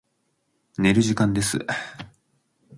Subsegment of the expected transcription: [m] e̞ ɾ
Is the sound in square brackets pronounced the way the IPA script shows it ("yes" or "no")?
no